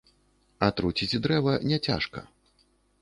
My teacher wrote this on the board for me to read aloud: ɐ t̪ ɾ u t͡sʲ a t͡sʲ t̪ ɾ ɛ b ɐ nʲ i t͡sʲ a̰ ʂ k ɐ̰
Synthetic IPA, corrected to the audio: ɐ t̪ ɾ u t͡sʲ i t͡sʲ d̪ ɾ ɛ v ɐ nʲ ɛ t͡sʲ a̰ ʂ k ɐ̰